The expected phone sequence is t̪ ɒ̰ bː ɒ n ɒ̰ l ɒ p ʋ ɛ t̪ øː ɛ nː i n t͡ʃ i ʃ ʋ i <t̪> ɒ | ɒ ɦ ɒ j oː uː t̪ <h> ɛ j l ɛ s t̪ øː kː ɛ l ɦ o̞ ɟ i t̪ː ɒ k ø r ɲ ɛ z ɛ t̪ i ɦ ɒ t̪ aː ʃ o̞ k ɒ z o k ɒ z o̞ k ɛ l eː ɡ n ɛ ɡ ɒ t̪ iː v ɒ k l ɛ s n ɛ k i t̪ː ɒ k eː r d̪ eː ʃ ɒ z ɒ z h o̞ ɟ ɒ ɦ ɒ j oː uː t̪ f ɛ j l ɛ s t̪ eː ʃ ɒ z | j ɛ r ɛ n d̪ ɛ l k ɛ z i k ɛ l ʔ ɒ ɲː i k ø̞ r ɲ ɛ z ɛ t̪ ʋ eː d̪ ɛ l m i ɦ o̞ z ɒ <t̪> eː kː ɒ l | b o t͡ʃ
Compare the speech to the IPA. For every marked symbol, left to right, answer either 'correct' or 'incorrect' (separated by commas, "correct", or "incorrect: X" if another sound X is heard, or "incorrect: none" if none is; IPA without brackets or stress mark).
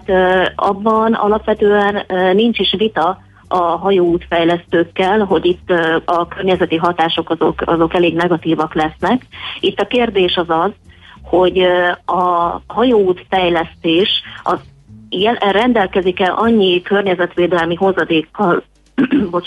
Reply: correct, incorrect: f, incorrect: d̪